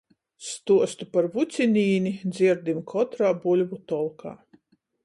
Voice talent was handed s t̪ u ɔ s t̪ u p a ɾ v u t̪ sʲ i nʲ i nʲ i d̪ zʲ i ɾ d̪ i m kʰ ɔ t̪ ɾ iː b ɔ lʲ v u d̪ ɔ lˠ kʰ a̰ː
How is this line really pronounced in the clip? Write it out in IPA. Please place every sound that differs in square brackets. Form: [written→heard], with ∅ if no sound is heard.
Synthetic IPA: s t̪ u ɔ s t̪ u p a ɾ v u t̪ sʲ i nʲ [i→iː] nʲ i d̪ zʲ i ɾ d̪ i m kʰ ɔ t̪ ɾ [iː→aː] b [ɔ→u] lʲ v u [d̪→t̪] ɔ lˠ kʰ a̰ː